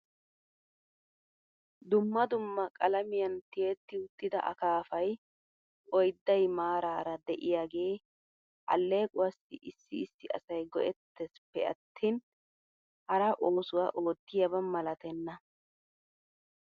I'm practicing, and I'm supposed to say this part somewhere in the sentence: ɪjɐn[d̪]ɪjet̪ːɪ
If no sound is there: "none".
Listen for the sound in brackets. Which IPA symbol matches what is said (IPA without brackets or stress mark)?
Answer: t̪